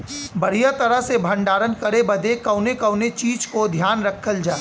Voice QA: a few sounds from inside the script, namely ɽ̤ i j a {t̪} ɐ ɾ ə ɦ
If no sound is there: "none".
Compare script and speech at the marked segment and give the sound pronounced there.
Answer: t̪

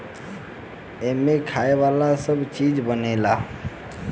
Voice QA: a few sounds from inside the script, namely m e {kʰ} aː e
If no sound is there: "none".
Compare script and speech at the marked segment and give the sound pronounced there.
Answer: kʰ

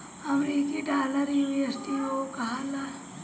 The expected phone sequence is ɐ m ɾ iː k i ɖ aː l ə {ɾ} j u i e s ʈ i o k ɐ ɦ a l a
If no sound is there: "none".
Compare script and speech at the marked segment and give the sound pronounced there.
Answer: ɾ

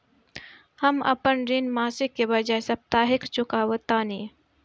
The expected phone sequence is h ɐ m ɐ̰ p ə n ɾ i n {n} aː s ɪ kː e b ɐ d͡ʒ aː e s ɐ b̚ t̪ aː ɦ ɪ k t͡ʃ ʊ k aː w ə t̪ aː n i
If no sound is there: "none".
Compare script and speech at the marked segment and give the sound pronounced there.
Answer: m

